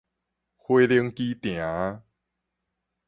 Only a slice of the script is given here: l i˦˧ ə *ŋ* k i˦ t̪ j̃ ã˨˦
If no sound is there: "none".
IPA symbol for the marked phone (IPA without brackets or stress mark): ŋ